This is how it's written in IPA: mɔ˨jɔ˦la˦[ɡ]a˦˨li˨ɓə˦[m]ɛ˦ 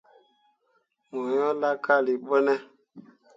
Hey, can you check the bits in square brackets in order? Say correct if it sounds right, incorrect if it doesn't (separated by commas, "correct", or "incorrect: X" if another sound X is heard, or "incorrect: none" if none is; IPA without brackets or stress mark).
incorrect: k, incorrect: n